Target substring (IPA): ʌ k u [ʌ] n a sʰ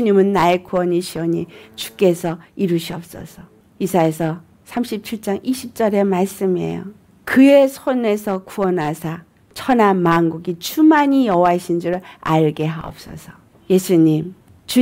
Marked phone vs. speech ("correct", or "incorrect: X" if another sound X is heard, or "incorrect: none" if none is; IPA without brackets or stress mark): correct